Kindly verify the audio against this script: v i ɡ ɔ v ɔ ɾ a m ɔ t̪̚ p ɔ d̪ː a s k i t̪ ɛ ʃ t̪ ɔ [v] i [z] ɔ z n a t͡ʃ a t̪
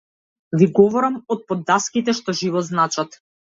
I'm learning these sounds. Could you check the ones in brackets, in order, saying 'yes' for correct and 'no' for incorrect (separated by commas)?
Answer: no, no